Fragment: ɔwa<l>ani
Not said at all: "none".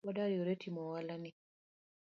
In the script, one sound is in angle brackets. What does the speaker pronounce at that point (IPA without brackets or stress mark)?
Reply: l